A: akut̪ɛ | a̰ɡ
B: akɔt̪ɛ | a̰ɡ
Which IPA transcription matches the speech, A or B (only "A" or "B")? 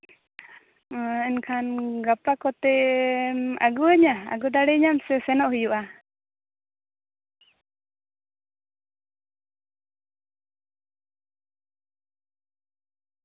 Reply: B